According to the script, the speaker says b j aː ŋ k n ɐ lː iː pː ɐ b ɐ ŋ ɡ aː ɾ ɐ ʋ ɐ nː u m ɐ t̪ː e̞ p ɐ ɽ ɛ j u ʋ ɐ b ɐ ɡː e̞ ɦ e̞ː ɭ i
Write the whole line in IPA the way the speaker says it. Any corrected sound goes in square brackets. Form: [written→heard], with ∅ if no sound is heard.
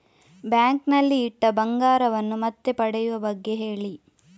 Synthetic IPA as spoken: b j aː ŋ k n ɐ lː iː [pː→ʈː] ɐ b ɐ ŋ ɡ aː ɾ ɐ ʋ ɐ nː u m ɐ t̪ː e̞ p ɐ ɽ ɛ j u ʋ ɐ b ɐ ɡː e̞ ɦ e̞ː ɭ i